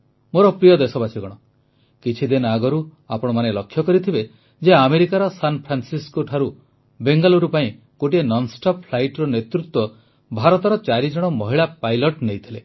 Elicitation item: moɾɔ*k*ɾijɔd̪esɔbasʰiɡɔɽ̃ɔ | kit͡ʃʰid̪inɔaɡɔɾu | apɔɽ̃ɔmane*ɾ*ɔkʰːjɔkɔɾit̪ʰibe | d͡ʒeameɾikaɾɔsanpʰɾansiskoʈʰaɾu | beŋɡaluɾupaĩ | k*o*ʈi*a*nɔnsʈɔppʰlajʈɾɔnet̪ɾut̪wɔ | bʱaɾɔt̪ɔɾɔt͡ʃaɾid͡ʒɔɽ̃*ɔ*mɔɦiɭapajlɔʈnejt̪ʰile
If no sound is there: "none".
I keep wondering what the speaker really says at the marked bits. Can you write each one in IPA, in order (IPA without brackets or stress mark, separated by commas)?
p, l, o, e, ɔ